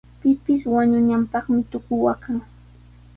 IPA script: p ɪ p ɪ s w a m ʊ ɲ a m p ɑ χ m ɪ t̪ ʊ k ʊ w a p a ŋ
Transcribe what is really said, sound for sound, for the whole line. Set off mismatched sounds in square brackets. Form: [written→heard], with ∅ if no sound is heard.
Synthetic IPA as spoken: p ɪ p ɪ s w a [m→ɲ] ʊ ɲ a m p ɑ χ m ɪ t̪ ʊ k ʊ w a [p→k] a ŋ